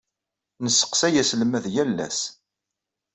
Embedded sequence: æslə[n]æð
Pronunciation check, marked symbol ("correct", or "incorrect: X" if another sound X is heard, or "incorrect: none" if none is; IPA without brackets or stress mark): incorrect: m